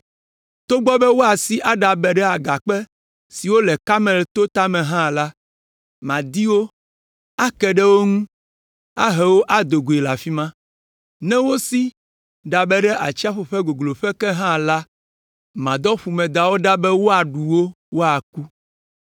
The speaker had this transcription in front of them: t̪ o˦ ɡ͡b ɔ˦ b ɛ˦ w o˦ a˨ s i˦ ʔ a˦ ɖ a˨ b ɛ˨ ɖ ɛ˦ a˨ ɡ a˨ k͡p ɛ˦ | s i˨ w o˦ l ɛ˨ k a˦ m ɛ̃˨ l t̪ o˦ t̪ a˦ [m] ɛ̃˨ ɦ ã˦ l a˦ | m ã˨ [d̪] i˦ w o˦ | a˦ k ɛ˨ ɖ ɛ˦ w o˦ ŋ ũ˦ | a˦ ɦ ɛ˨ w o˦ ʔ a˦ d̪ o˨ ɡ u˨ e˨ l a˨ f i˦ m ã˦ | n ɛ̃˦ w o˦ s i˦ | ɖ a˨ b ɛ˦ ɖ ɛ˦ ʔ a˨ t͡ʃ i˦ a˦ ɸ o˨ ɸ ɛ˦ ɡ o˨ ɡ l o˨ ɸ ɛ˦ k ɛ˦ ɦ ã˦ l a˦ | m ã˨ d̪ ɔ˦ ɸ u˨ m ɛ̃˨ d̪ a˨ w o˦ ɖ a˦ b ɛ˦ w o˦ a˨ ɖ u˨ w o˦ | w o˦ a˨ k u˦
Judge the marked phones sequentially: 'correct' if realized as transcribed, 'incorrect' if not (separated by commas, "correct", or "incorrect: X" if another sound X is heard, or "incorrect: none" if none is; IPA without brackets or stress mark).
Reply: correct, correct